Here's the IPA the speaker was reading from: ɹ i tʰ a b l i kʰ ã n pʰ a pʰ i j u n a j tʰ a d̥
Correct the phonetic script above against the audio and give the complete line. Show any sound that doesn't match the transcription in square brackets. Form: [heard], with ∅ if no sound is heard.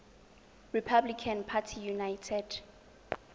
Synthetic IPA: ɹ i [pʰ] a b l i kʰ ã n pʰ a [tʰ] i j u n a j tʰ [ɛ] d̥